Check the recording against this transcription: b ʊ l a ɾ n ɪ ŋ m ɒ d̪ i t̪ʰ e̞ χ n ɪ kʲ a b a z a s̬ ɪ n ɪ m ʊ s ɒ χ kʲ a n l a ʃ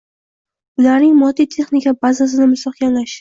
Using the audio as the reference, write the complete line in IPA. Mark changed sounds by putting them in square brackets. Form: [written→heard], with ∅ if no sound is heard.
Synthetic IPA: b ʊ l a ɾ n ɪ ŋ m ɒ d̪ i t̪ʰ e̞ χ n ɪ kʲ a b a z a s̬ ɪ n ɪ m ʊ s ɒ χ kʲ a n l a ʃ